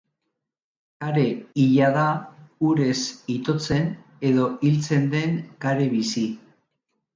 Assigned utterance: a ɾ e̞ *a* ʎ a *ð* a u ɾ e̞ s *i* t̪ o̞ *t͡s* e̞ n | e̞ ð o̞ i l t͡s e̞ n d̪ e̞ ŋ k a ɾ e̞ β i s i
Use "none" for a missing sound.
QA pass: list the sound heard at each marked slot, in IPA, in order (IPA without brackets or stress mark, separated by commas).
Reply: i, ð, i, t͡s